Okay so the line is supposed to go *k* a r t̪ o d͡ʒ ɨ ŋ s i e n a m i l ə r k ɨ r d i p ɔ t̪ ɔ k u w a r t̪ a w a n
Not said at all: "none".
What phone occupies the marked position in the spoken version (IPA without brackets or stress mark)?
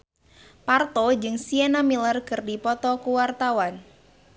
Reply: p